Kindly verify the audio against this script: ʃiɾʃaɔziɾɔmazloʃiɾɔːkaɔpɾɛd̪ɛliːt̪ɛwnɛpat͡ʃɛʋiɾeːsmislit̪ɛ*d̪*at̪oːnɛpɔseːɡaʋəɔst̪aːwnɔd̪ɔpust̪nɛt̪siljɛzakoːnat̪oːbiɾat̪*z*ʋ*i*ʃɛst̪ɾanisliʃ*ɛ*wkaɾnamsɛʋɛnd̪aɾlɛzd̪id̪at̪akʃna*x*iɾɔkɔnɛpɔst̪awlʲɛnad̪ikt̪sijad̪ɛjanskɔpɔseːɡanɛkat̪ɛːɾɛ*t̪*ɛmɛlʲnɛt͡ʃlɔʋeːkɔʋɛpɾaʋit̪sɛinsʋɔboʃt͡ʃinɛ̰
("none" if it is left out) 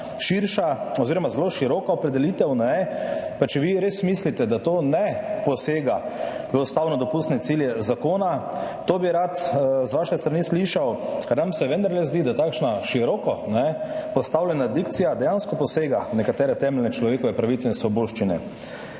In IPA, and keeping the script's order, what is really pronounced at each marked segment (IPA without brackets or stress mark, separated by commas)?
d̪, z, a, a, ʃ, t̪